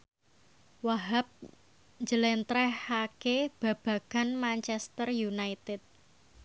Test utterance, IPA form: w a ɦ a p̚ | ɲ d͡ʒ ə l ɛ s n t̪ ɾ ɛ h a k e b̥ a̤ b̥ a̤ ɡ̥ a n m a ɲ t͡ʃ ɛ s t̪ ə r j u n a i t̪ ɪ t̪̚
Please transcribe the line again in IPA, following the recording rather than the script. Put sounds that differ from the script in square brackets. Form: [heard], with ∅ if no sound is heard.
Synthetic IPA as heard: w a ɦ a p̚ | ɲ d͡ʒ ə l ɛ [∅] n t̪ ɾ ɛ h a k e b̥ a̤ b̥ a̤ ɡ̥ a n m a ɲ t͡ʃ ɛ s t̪ ə r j u n a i t̪ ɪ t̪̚